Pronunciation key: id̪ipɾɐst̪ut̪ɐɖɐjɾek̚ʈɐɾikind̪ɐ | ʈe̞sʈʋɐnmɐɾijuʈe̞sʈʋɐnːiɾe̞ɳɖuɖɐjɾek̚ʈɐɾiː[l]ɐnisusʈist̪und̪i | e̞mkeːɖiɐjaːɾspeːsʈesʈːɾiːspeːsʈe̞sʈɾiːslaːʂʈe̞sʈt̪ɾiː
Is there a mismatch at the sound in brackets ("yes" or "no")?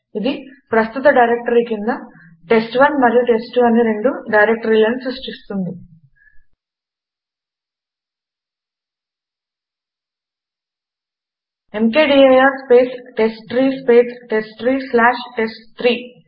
no